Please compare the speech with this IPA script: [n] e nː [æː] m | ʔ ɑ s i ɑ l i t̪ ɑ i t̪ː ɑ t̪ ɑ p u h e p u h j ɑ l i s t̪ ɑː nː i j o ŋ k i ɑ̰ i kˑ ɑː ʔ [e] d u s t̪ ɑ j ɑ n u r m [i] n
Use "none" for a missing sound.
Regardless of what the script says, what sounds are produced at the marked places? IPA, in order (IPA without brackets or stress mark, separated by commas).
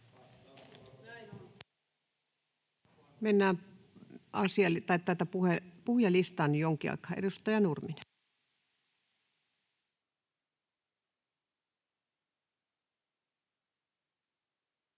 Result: m, æː, e, i